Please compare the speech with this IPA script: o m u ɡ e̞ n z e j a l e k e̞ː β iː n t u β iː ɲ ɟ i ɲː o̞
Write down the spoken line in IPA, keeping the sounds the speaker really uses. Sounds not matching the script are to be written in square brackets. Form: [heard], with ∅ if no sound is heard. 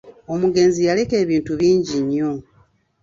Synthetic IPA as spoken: o m u ɡ e̞ n z [i] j a l e k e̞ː β iː n t u β iː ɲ ɟ i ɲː o̞